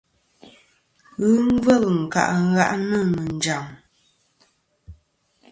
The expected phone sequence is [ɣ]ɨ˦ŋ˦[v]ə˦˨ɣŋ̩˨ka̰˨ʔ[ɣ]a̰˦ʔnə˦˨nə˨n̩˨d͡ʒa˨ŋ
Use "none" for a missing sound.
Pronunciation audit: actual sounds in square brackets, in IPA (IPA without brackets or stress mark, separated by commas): ɣ, v, ɣ